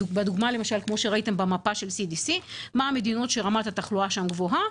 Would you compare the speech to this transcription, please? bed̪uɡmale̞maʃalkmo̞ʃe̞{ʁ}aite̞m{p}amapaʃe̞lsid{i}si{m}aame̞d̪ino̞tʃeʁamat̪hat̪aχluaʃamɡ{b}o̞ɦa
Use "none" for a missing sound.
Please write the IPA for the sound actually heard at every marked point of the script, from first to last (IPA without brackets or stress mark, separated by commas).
ʁ, b, i, m, v